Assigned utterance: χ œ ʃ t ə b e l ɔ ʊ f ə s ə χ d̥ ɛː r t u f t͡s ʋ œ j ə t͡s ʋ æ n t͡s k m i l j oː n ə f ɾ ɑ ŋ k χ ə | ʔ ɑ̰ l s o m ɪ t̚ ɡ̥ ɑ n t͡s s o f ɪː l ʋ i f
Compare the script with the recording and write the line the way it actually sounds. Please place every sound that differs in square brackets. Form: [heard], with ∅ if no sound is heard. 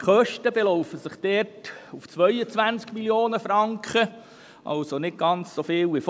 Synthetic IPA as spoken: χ œ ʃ t ə b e l ɔ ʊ f ə s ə χ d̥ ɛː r t u f t͡s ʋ œ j ə t͡s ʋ æ n t͡s k m i l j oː n ə f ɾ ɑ ŋ k χ ə | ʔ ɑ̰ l s o [n] ɪ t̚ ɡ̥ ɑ n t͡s s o f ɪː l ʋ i f